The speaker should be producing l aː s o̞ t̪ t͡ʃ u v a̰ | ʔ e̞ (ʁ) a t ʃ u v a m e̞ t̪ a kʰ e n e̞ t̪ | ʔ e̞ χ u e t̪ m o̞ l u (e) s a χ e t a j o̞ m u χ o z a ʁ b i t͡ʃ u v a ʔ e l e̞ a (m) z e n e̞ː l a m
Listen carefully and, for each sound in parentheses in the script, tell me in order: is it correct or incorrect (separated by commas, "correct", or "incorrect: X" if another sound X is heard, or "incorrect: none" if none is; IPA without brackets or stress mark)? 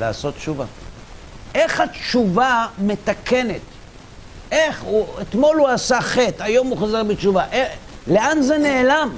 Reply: incorrect: χ, incorrect: a, incorrect: n